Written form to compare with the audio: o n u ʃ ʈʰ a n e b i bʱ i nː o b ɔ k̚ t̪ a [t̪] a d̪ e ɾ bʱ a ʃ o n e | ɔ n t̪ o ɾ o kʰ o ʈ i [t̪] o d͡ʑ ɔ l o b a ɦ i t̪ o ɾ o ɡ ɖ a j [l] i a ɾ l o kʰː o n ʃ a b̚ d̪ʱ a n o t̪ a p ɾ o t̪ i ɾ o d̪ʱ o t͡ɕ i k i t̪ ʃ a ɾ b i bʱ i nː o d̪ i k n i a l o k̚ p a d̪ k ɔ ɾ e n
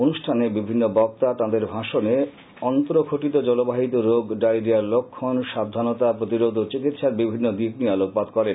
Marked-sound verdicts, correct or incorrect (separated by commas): correct, correct, incorrect